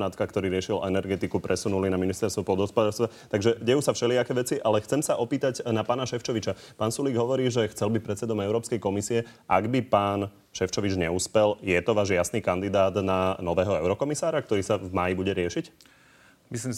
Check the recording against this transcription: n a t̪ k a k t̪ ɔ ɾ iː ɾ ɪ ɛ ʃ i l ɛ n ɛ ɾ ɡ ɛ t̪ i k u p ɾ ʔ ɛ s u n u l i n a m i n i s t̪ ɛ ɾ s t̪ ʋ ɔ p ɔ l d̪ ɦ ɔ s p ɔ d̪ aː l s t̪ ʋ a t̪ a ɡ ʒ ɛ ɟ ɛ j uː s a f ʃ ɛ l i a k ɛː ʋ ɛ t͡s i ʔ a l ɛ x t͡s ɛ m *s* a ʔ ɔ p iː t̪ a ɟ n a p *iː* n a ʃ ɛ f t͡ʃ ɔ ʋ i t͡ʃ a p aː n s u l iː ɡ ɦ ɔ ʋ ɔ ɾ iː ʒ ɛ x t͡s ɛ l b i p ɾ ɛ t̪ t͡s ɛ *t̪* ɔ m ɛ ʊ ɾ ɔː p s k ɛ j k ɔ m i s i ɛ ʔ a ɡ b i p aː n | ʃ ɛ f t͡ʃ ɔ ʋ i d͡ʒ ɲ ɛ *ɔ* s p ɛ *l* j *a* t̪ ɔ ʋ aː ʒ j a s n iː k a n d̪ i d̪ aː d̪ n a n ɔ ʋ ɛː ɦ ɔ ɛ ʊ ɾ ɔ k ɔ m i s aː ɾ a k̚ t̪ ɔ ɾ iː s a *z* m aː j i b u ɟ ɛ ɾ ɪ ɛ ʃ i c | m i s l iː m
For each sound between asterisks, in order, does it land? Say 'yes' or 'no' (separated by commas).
yes, no, no, no, yes, no, no